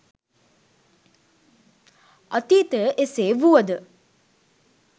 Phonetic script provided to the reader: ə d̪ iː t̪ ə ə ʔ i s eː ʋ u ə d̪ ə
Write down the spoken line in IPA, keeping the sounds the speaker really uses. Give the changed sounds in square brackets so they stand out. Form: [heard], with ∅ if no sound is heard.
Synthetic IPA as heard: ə [t̪] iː t̪ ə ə ʔ [e] s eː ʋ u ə d̪ ə